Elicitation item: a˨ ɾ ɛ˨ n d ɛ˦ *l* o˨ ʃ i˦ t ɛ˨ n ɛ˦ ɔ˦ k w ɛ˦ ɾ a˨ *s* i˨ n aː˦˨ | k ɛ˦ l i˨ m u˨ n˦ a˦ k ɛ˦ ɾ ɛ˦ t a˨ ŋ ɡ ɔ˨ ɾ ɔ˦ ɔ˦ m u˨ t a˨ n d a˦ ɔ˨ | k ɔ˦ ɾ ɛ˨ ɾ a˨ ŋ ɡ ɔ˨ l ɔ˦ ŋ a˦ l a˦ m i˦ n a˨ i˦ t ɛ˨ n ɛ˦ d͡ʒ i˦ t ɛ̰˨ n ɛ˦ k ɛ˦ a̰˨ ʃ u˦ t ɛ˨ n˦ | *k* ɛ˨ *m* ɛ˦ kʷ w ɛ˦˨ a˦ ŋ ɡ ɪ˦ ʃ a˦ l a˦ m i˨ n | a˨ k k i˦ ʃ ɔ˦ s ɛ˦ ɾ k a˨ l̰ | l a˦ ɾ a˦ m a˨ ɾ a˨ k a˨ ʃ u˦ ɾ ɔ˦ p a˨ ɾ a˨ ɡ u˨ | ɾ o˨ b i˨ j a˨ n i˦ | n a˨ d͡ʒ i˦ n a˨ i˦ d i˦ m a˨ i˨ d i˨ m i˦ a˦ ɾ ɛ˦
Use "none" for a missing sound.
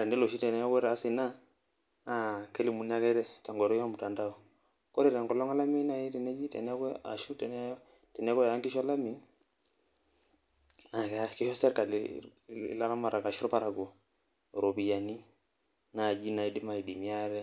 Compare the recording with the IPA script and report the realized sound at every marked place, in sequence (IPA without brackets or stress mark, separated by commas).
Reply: l, s, t, n